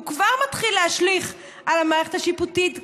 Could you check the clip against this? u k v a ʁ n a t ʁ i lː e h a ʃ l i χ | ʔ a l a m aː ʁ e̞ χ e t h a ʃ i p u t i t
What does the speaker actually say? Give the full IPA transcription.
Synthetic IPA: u k v a ʁ m a t χ i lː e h a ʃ l i χ | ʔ a l a m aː ʁ e̞ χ e t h a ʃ i p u t i t

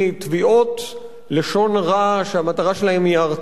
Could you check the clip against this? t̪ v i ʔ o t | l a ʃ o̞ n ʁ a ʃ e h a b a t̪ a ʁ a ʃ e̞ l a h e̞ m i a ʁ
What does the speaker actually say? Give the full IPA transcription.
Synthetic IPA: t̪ v i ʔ o t | l e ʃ o̞ n ʁ a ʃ e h a m a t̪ a ʁ a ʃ e̞ l a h e̞ m i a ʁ

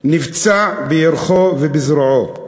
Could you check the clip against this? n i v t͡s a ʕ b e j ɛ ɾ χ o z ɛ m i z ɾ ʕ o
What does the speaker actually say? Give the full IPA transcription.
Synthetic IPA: n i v t͡s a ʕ b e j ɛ ɾ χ o v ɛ b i z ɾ ʕ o

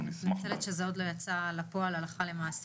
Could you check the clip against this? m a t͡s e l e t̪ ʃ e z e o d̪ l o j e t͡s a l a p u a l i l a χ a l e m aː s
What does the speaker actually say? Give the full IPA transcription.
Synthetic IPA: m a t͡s e l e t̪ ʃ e z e o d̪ l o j a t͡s a l a p o a l a l a χ a l e m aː s

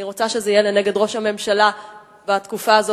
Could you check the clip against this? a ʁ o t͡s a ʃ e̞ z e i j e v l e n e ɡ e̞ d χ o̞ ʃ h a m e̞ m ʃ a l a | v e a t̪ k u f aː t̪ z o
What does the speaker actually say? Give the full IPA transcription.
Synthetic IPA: i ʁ o t͡s a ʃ e̞ z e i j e l e n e ɡ e̞ d ʁ o̞ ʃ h a m e̞ m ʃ a l a | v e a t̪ k u f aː z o

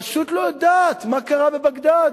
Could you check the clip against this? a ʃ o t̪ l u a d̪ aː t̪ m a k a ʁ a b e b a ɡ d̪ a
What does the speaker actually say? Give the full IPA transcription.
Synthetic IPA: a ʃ u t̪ l o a d̪ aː t̪ m a k a ʁ a b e b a ɡ d̪ a

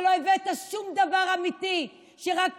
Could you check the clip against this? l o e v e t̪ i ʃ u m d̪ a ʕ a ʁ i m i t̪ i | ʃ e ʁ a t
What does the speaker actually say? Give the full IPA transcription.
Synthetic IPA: l o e v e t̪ a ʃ u m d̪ a v a ʁ a m i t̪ i | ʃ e ʁ a k

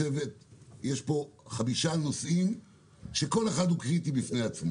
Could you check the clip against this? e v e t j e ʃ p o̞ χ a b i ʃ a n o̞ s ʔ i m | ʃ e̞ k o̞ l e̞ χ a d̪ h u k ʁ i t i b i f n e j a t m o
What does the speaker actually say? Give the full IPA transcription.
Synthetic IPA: e v e t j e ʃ p o̞ χ a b i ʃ a n o̞ s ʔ i m | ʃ e̞ k o̞ l e̞ χ a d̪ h u k ʁ i t i b i f n e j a t͡s m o

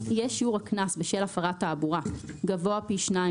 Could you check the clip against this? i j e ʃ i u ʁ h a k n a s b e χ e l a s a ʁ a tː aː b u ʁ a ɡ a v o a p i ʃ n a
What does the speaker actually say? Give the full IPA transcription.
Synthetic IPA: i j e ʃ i u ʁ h a k n a s b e ʃ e l a f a ʁ a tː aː b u ʁ a ɡ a v o a p i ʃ n a

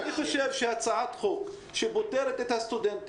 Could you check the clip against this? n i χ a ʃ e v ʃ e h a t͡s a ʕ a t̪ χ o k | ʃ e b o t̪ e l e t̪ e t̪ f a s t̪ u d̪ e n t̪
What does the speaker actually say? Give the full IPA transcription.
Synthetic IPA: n i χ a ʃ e v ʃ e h a t͡s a ʕ a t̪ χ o k | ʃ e b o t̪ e ɾ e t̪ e t̪ h a s t̪ u d̪ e n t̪

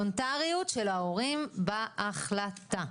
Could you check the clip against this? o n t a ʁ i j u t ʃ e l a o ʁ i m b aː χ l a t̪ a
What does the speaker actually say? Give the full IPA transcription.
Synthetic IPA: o n t a ʁ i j u t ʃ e l a o ʁ i m b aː χ l a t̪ a

